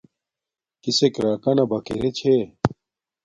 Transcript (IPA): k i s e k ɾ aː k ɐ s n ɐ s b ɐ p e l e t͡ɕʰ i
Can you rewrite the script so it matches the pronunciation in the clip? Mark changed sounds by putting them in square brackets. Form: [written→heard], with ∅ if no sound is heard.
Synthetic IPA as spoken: k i s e k ɾ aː k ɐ [s→∅] n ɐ [s→∅] b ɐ [p→k] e [l→ɾ] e t͡ɕʰ [i→e]